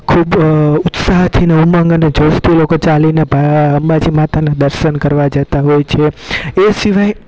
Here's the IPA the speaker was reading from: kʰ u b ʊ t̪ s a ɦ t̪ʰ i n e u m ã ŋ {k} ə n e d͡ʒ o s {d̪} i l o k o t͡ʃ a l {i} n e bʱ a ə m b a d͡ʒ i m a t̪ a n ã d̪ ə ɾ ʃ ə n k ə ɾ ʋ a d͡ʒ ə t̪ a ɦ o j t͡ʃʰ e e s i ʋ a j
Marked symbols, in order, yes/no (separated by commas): no, no, yes